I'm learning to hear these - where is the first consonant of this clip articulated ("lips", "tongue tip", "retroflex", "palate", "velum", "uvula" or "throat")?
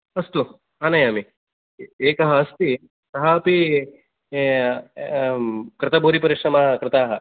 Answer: tongue tip